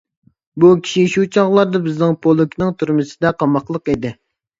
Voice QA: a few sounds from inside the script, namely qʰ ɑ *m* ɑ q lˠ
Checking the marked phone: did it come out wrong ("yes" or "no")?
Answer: no